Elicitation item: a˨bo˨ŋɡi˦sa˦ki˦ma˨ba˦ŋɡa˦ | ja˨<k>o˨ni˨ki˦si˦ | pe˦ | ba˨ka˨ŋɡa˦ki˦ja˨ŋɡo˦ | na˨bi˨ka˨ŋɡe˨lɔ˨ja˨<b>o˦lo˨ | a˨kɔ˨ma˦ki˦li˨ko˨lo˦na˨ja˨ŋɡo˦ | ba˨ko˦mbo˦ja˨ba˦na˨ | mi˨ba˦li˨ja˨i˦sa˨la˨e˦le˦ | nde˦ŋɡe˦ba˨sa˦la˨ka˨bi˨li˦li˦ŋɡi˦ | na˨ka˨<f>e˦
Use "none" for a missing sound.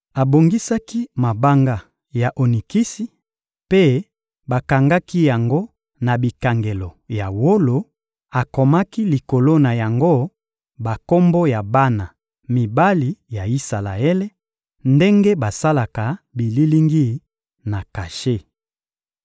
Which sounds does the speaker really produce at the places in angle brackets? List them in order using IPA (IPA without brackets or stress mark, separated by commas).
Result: ʔ, w, ʃ